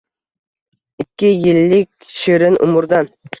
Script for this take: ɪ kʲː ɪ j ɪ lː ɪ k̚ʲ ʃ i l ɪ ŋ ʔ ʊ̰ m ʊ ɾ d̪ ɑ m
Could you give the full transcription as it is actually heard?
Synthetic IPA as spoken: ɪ kʲː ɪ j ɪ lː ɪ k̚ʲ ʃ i ɾ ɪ n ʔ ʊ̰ m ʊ ɾ d̪ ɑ n